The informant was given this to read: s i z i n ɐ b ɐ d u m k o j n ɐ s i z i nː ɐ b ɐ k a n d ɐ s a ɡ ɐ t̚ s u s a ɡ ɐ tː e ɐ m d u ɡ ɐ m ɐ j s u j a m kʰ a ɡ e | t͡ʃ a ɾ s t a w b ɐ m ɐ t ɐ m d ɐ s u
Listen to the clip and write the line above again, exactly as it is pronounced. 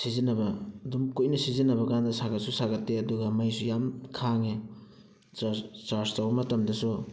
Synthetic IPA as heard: s i z i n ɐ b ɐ d u m k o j n ɐ s i z i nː ɐ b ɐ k a n d ɐ s a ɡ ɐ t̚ s u s a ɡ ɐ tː e ɐ d u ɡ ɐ m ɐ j s u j a m kʰ a ŋ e | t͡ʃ a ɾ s t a w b ɐ m ɐ t ɐ m d ɐ s u